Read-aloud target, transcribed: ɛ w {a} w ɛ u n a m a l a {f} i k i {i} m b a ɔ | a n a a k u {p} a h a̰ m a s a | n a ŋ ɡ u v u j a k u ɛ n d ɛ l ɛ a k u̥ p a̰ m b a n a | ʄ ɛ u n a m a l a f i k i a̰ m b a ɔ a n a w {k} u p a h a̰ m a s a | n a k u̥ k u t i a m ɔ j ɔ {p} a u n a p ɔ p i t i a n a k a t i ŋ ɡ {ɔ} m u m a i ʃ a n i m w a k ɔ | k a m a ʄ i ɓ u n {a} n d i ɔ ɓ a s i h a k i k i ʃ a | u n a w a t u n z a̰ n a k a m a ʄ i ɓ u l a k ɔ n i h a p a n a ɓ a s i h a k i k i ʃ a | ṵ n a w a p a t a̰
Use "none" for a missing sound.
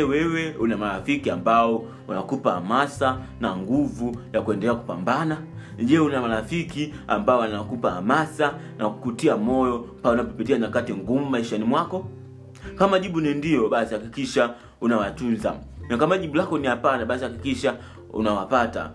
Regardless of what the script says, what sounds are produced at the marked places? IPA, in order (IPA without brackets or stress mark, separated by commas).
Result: ɛ, f, a, p, k, p, u, i